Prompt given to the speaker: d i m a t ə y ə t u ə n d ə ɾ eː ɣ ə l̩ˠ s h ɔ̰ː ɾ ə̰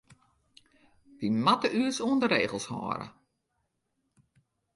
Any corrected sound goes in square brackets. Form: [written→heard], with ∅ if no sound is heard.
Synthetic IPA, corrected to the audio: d i m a t ə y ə [t→s] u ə n d ə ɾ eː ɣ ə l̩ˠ s h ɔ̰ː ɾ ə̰